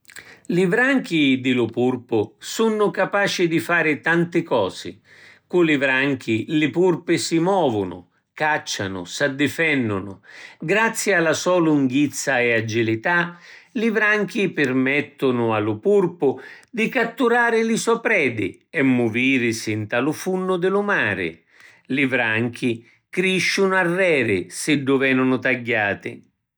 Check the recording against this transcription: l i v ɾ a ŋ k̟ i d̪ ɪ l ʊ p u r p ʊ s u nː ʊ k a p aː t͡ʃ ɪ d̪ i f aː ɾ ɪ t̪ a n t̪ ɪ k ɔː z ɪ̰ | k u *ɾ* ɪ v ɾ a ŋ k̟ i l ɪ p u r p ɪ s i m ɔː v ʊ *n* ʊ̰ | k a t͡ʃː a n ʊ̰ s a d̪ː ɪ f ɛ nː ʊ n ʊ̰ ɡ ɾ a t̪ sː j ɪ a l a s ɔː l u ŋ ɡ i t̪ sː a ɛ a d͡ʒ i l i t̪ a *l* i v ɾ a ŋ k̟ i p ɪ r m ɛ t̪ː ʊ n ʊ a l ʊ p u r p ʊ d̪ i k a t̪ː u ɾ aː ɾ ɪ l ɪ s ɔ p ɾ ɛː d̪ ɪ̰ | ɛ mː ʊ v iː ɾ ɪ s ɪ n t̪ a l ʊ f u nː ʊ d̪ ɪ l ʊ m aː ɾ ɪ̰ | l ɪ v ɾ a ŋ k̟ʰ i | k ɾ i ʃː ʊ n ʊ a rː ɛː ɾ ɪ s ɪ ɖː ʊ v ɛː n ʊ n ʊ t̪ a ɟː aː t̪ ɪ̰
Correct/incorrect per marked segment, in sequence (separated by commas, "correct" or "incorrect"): incorrect, correct, correct